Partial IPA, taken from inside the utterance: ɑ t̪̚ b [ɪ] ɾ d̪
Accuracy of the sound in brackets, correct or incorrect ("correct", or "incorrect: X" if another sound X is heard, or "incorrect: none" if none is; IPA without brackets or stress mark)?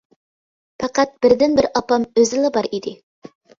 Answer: correct